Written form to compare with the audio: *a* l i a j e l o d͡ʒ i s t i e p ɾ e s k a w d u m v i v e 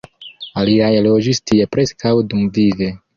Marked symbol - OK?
yes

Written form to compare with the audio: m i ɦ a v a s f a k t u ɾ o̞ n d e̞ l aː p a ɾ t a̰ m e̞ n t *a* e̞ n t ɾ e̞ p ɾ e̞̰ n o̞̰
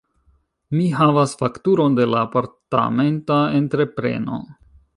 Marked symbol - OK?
yes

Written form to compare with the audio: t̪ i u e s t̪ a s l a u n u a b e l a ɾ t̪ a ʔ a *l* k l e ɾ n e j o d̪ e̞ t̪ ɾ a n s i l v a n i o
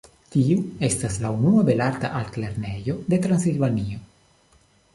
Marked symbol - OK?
yes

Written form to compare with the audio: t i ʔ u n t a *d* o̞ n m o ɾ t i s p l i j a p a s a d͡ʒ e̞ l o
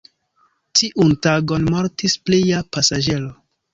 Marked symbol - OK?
no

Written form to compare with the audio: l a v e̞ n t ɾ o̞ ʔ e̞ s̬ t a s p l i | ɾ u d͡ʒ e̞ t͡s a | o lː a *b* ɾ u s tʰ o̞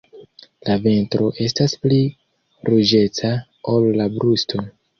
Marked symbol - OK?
yes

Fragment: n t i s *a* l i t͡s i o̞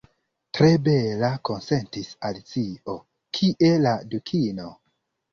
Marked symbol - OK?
yes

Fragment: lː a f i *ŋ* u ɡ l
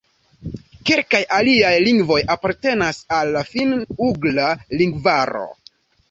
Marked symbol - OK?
no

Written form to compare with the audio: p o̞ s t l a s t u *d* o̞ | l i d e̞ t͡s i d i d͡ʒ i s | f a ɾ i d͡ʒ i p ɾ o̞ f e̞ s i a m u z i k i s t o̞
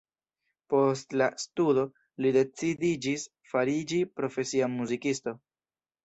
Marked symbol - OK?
yes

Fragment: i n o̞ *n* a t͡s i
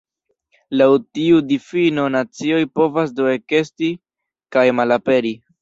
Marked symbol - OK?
yes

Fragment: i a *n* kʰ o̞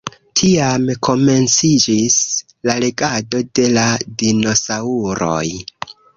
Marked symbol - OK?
no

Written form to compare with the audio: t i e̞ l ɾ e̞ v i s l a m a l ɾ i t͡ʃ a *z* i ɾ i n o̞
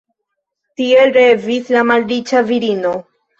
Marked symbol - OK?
no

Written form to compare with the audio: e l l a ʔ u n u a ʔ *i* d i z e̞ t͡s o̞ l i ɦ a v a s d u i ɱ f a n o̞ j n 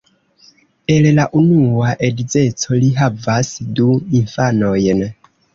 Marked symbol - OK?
no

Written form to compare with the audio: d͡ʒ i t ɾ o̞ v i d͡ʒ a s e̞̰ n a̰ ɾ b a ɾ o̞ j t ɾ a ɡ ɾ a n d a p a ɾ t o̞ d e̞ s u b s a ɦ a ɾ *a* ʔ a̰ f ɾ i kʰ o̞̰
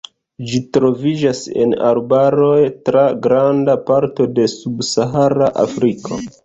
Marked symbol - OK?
yes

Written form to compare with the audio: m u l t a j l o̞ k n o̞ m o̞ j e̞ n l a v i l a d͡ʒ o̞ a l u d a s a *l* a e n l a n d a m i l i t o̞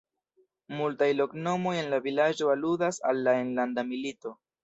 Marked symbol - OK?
no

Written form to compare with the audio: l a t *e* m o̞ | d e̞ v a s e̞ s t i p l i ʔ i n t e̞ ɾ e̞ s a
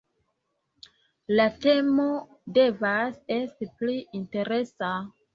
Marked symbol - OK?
yes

